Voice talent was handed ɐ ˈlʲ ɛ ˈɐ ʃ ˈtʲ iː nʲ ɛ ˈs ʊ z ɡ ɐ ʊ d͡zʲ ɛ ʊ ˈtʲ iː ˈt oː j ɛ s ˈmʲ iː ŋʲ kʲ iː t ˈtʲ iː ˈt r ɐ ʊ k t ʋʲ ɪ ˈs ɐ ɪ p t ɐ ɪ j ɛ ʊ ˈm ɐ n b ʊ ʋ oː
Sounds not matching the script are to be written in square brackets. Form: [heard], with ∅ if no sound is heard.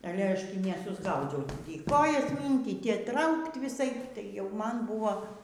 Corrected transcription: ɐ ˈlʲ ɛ ˈɐ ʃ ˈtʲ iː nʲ ɛ ˈs ʊ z ɡ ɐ ʊ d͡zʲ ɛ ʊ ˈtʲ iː [ˈk] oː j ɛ s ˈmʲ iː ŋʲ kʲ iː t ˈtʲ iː ˈt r ɐ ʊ k t ʋʲ ɪ ˈs ɐ ɪ p t ɐ ɪ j ɛ ʊ ˈm ɐ n b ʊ ʋ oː